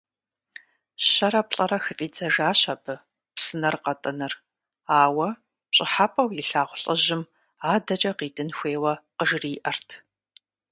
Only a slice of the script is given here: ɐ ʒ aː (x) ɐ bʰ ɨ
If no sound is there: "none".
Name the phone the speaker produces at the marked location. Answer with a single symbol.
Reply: ɕ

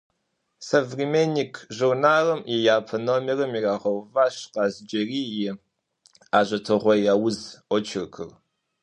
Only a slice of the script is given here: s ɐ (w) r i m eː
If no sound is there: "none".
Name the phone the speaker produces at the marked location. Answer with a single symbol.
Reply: v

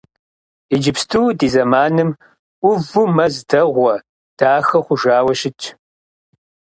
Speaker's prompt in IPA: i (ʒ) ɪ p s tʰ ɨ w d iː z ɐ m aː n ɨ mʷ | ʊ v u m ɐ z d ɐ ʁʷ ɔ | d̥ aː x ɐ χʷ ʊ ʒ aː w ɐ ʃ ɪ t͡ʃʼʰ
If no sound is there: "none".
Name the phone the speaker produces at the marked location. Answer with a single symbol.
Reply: d͡ʒ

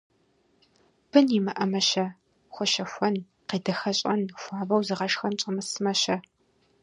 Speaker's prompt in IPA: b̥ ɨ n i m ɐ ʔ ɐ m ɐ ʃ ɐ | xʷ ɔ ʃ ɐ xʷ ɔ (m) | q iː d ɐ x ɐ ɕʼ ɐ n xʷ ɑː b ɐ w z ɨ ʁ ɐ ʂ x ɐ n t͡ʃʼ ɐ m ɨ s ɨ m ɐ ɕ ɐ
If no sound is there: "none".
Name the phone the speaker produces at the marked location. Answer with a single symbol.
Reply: n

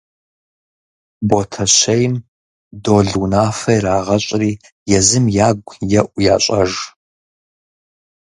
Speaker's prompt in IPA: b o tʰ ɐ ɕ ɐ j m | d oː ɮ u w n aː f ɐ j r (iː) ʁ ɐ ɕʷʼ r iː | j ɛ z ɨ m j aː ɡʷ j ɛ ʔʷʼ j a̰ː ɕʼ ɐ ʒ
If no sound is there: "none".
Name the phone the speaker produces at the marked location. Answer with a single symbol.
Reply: aː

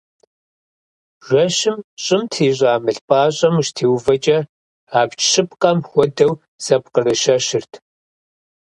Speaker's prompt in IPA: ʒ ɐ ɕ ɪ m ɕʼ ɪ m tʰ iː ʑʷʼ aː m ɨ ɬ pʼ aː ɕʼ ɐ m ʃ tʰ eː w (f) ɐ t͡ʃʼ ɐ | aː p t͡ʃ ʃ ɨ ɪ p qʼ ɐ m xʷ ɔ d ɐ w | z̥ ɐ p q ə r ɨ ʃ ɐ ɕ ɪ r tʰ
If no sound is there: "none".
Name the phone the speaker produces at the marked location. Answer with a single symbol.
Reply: v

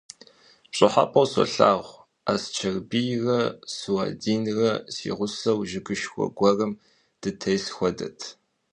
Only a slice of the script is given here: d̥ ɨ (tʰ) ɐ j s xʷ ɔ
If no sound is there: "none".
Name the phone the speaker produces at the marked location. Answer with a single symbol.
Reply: tʰ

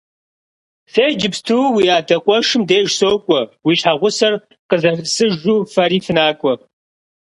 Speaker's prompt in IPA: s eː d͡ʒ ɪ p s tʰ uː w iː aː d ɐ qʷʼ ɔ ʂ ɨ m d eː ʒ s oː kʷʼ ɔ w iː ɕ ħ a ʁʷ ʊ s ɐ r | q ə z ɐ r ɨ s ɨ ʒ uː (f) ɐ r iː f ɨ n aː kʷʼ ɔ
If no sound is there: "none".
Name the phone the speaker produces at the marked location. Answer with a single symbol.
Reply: f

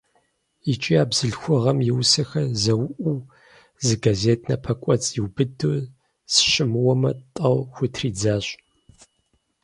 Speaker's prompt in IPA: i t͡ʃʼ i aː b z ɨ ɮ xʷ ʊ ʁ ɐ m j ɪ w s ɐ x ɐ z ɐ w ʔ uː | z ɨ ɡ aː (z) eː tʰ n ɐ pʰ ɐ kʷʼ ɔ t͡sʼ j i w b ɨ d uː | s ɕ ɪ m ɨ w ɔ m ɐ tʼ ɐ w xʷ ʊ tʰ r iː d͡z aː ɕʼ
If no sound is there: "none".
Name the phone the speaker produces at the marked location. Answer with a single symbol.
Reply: z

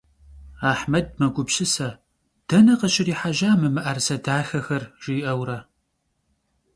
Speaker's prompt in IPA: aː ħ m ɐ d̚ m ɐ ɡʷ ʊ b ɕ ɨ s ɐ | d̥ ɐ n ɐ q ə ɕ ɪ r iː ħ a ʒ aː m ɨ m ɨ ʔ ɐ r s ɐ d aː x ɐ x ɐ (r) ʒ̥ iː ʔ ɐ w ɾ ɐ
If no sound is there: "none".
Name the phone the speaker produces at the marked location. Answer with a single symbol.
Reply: r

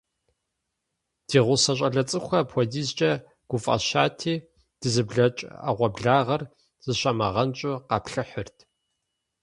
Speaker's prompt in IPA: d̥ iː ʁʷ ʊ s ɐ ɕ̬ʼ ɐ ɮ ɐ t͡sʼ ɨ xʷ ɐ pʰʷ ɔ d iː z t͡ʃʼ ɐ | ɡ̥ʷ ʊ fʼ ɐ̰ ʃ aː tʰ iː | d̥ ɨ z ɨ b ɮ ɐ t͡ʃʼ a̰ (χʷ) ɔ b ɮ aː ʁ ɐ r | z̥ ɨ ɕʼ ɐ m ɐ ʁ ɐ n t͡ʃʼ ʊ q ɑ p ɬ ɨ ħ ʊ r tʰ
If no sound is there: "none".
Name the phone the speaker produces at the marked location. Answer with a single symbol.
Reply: ʁʷ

